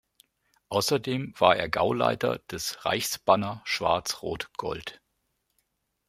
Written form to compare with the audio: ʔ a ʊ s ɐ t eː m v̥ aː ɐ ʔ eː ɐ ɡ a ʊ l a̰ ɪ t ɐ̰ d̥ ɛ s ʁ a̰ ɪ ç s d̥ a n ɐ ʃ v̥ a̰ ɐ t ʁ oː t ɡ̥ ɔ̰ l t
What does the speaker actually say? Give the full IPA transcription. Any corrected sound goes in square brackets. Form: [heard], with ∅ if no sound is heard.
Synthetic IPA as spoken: ʔ a ʊ s ɐ [d] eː m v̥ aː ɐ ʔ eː ɐ ɡ a ʊ l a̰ ɪ t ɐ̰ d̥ ɛ s ʁ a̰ ɪ ç s [b̥] a n ɐ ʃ v̥ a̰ ɐ [t͡s] ʁ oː t ɡ̥ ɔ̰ l t